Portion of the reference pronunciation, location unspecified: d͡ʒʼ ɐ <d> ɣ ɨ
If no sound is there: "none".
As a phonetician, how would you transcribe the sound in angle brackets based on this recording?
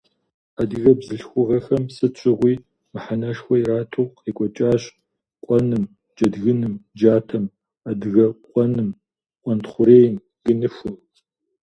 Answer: d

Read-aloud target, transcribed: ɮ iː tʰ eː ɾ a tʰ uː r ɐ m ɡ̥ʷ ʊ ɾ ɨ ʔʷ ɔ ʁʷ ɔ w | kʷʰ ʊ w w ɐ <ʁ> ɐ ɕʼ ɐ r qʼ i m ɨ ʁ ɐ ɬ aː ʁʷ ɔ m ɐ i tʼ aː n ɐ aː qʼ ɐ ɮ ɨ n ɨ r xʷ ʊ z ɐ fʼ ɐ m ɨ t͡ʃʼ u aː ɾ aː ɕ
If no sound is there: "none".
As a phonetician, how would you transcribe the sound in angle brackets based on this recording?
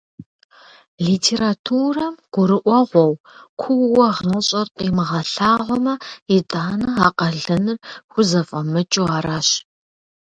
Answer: ʁ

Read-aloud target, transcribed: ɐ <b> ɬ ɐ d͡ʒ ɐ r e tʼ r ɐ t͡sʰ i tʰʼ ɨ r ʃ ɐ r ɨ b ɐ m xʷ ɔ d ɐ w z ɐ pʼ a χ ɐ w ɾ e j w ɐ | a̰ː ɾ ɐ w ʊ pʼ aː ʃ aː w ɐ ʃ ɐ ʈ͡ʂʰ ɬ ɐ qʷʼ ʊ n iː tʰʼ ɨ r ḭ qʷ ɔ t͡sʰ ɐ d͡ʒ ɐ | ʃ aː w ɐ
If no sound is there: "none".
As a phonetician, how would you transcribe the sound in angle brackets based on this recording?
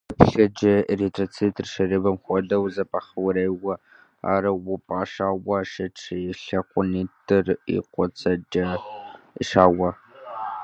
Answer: p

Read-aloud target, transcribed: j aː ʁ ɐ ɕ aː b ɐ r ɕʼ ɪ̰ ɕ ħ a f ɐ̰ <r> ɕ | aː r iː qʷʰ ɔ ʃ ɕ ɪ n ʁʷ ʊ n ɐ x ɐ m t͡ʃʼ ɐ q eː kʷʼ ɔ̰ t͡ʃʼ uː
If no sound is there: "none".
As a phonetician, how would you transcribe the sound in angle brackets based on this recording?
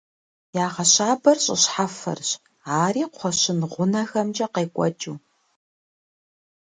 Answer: r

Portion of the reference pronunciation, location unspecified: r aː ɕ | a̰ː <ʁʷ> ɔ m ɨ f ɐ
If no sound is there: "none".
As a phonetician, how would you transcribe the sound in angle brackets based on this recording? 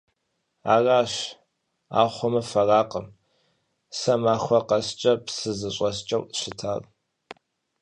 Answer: χʷ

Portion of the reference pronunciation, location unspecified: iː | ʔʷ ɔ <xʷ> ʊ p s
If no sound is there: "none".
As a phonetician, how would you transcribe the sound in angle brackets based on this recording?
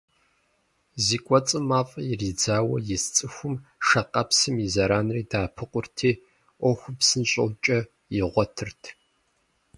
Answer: xʷ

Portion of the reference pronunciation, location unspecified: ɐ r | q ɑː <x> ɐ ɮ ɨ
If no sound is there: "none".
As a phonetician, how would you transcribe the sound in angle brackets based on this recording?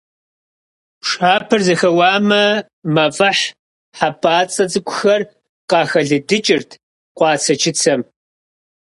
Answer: x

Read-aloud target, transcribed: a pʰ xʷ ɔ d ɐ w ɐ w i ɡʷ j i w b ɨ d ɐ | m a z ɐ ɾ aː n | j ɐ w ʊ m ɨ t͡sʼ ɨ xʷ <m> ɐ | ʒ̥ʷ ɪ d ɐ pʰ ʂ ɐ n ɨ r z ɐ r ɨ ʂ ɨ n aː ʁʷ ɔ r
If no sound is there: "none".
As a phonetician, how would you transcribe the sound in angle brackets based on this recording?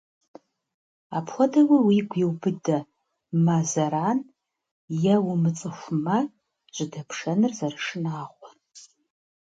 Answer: m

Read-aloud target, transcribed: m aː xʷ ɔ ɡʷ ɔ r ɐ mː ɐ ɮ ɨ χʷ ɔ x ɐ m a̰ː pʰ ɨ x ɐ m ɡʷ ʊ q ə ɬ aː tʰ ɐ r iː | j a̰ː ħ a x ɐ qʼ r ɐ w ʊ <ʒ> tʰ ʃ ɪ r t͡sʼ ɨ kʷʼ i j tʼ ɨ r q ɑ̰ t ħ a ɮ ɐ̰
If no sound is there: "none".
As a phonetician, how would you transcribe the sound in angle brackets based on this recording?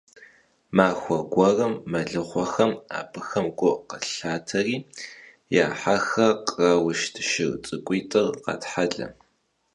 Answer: ʃ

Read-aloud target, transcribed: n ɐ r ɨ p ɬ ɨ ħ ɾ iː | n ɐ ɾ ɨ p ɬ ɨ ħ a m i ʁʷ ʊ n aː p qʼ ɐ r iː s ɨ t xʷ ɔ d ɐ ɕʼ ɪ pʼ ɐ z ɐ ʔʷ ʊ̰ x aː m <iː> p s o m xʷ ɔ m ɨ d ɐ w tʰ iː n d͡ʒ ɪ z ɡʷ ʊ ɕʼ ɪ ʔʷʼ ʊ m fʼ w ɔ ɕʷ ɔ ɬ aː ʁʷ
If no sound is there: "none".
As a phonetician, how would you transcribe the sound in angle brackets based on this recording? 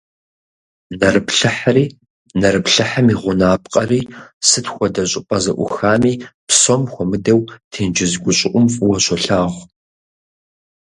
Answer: iː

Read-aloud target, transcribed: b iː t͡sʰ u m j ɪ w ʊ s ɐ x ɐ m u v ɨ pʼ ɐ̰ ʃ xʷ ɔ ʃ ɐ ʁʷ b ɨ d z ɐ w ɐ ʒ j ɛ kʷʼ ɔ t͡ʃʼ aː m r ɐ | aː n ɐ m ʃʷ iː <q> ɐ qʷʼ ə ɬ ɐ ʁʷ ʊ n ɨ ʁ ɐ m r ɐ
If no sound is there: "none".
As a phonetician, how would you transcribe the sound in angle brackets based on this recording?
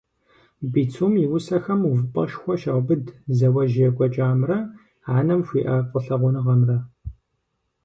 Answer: ʔ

